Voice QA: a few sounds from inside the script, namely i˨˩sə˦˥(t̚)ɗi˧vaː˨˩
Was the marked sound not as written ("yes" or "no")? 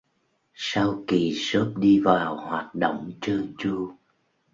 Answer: yes